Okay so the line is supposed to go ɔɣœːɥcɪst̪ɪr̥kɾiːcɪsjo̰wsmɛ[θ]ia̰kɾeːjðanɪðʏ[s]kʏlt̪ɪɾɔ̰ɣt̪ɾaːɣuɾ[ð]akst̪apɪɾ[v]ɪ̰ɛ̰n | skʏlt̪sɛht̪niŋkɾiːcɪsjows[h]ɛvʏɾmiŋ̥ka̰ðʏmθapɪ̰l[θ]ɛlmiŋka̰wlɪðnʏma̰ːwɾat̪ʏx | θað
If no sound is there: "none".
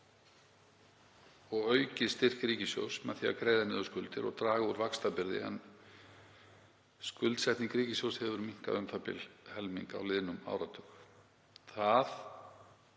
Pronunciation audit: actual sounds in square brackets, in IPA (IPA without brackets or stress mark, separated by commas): θ, s, v, ð, h, h